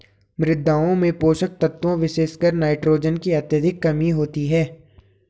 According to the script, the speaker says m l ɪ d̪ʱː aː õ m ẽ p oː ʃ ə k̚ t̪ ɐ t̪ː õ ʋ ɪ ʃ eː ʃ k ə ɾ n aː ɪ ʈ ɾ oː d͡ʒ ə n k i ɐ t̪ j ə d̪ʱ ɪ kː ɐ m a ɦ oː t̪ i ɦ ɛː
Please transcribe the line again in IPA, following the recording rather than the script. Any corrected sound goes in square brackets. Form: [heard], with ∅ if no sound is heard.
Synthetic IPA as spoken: m [ɾ] ɪ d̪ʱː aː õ m ẽ p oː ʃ ə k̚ t̪ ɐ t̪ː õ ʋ ɪ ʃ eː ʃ k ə ɾ n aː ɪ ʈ ɾ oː d͡ʒ ə n k i ɐ t̪ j ə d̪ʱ ɪ kː ɐ m [i] ɦ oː t̪ i ɦ ɛː